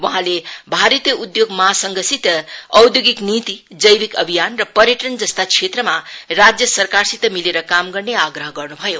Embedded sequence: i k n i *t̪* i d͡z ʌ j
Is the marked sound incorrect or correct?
correct